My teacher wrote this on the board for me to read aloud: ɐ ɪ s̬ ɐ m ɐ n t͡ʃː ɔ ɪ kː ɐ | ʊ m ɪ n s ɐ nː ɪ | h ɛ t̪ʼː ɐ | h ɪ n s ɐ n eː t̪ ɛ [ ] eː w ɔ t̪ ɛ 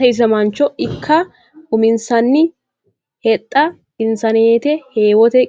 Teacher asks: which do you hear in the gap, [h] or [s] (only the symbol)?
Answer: h